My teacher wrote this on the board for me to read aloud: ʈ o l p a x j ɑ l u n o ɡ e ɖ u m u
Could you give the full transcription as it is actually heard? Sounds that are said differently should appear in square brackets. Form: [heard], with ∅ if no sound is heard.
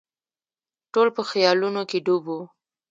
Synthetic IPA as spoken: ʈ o l p [ə] x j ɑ l u n o [k] e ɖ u [b] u